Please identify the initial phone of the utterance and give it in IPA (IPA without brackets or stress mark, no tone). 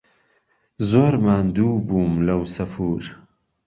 z